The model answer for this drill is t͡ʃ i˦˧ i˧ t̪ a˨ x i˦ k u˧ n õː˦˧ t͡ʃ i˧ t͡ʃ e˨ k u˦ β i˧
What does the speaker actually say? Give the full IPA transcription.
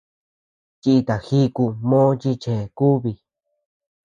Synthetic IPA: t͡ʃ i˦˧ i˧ t̪ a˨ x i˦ k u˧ m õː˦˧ t͡ʃ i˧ t͡ʃ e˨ k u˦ β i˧